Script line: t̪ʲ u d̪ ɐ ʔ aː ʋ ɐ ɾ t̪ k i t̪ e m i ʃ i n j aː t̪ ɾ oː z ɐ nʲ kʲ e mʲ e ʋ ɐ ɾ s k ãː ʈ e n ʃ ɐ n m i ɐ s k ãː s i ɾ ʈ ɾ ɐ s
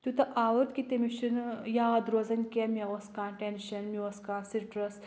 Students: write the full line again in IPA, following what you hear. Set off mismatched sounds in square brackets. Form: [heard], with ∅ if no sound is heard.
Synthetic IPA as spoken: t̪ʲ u [t̪] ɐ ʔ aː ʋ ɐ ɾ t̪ k i t̪ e m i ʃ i n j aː [d̪] ɾ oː z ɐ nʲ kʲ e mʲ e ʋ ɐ [∅] s k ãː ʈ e n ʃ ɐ n m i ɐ s k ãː s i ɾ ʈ ɾ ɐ s